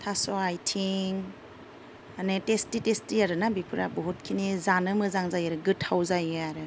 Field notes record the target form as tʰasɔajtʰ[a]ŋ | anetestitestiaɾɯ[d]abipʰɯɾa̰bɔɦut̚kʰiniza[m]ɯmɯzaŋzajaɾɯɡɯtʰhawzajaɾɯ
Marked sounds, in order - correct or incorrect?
incorrect: i, incorrect: n, incorrect: n

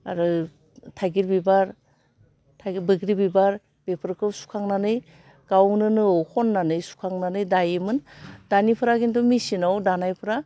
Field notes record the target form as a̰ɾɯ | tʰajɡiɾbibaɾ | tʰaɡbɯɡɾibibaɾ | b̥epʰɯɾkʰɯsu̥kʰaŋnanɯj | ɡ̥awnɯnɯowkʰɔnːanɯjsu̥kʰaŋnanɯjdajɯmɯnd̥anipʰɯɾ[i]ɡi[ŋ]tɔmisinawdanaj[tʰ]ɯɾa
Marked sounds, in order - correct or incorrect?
incorrect: a, incorrect: n, incorrect: pʰ

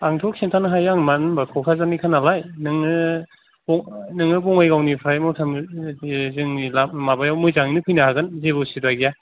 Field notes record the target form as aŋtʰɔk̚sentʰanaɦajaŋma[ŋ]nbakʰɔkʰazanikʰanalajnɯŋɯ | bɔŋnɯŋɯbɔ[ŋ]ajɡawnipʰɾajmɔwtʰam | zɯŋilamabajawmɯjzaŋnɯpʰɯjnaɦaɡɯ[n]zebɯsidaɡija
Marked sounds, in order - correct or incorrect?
incorrect: n, correct, correct

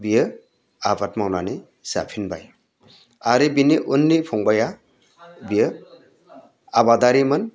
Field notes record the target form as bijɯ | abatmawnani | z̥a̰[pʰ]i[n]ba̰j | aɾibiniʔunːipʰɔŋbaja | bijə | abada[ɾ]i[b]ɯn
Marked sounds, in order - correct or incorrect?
correct, correct, correct, incorrect: m

